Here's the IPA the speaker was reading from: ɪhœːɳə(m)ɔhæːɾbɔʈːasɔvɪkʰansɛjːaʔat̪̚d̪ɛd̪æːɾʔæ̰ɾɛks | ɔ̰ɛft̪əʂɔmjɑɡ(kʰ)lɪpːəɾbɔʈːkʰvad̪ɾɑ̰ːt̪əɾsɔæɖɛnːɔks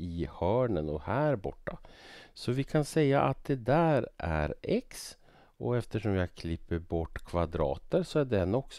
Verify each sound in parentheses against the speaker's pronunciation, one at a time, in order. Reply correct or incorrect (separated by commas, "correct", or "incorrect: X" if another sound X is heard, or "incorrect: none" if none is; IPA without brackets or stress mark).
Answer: incorrect: n, correct